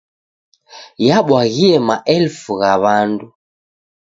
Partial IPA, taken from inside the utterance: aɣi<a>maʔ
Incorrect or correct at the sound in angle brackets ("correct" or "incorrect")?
incorrect